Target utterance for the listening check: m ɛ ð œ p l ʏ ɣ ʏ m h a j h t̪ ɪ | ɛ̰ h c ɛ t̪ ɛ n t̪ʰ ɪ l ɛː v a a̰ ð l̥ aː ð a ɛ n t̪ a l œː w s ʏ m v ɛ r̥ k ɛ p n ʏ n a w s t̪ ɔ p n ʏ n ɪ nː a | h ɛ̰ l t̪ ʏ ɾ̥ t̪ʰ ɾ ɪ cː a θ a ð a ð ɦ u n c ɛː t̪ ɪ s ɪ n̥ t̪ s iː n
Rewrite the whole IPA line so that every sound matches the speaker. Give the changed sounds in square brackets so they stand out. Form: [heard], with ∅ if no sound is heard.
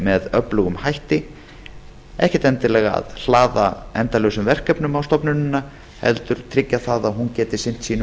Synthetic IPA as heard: m ɛ ð œ p l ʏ ɣ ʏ m h a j h t̪ ɪ | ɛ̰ h c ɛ t̪ ɛ n [t̪] ɪ l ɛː [ɣ] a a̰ ð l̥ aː ð a ɛ n t̪ a l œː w s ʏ m v ɛ r̥ k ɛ p n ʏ [m] a w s t̪ ɔ p n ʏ n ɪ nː a | h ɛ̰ l t̪ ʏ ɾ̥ t̪ʰ ɾ ɪ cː a θ a ð a ð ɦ u n c ɛː t̪ ɪ s ɪ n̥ t̪ s iː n